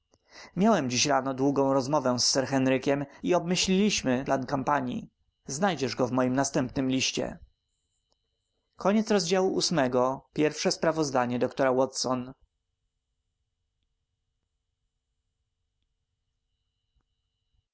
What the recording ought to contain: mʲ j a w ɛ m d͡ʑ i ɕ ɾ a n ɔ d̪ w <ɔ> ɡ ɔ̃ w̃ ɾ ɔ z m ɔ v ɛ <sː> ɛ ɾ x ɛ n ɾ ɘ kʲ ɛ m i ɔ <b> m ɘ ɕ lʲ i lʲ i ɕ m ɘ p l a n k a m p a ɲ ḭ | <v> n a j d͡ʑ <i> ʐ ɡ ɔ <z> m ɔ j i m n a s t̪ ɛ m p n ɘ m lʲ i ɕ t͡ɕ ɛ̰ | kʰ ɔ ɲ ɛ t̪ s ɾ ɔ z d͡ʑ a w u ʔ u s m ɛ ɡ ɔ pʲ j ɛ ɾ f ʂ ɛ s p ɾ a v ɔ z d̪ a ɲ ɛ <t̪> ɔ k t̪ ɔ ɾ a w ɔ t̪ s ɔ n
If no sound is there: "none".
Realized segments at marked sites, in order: u, sː, b, z, ɛ, v, d̪

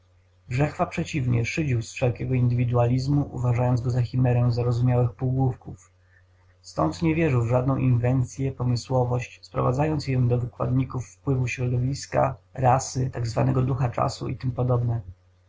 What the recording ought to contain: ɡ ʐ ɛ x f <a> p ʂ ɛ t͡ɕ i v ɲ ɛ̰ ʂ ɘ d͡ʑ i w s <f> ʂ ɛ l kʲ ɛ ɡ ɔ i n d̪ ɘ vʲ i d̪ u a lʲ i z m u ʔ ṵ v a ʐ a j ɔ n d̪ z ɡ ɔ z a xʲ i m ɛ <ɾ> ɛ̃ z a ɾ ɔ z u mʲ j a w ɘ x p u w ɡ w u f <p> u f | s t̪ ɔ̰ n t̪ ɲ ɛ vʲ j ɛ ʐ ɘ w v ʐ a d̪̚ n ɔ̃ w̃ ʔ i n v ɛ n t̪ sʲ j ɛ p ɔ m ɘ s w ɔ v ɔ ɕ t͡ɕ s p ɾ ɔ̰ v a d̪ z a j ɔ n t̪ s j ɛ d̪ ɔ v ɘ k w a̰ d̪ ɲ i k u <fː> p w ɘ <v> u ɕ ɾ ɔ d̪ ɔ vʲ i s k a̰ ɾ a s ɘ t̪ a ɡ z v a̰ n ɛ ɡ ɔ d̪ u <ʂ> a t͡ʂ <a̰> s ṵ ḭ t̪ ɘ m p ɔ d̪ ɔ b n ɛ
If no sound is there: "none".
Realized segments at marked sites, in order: a, f, ɾ, k, fː, v, x, a̰

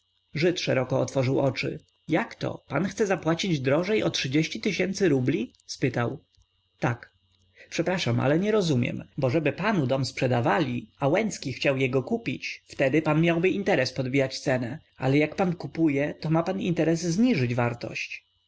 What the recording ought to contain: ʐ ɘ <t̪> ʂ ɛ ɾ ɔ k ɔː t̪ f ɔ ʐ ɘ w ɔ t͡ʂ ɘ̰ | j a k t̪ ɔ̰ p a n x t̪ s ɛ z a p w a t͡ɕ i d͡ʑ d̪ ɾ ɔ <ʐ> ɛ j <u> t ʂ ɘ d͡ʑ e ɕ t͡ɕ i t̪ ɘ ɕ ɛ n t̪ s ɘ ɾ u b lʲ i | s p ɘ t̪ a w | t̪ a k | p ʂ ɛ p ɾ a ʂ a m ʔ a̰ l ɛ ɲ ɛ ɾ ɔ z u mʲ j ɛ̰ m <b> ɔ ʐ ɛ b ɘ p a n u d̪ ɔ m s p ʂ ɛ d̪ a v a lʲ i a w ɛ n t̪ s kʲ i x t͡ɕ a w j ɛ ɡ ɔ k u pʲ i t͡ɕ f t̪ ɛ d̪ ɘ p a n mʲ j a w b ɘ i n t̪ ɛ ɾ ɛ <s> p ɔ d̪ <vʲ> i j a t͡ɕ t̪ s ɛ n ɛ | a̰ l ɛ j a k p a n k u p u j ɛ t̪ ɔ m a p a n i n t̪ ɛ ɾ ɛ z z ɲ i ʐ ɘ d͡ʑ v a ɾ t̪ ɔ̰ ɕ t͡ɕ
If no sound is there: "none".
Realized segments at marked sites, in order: t̪, ʐ, ɔ, b, s, bʲ

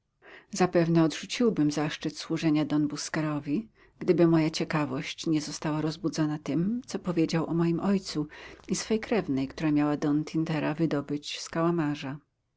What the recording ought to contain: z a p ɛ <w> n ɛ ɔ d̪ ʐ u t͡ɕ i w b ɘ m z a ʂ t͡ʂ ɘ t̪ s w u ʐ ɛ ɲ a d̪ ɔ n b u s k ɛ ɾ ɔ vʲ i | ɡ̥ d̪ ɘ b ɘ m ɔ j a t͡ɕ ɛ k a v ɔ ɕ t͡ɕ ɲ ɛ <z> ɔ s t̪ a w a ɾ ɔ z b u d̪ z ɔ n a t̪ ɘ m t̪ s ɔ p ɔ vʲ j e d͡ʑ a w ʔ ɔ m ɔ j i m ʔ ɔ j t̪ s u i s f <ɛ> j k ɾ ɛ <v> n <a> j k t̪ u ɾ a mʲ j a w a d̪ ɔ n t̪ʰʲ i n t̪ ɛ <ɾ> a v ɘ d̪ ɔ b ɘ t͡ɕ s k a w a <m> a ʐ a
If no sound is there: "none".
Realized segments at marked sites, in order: v, z, ɛ, v, ɛ, ɾ, m

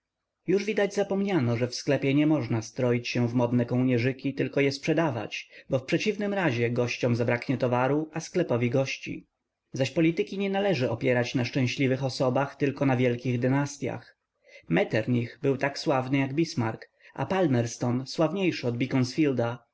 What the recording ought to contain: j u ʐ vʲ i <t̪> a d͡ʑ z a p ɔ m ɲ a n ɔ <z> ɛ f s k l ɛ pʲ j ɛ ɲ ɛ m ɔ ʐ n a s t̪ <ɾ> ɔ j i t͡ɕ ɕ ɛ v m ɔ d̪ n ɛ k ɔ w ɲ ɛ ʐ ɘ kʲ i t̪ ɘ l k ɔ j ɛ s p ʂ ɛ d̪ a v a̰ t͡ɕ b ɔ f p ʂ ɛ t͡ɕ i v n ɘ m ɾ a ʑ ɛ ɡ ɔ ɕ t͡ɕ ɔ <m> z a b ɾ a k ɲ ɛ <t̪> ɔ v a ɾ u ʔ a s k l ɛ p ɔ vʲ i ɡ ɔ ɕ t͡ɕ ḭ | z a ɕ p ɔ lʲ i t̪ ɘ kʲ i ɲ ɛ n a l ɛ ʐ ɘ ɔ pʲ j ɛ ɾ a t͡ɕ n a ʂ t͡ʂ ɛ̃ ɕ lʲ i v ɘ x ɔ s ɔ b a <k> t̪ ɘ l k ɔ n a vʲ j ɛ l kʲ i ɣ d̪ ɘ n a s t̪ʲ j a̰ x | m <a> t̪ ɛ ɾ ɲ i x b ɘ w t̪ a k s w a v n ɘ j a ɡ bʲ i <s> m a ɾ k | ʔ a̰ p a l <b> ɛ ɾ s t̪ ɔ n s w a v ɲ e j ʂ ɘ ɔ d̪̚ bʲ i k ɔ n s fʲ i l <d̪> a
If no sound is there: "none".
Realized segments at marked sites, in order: d̪, ʐ, ɾ, m, t̪, x, ɛ, s, m, d̪

